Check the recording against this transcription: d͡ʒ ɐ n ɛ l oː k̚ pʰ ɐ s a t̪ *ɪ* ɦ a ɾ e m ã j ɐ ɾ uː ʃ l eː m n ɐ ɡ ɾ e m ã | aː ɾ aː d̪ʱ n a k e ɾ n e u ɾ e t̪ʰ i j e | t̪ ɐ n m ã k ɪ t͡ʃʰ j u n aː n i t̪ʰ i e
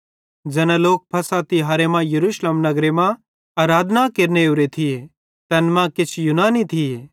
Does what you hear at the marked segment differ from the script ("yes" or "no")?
yes